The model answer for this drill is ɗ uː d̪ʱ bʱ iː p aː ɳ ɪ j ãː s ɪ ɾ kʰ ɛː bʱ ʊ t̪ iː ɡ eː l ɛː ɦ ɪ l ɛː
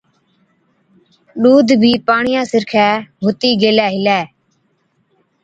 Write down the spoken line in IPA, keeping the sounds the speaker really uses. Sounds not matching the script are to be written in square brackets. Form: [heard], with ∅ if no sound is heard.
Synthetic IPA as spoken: ɗ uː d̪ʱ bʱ iː p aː ɳ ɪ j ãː s ɪ ɾ kʰ ɛː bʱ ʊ t̪ iː ɡ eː l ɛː ɦ ɪ l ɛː